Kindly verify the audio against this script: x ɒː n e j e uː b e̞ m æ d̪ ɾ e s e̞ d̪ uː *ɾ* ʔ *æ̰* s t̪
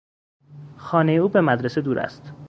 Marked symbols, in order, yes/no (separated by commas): yes, yes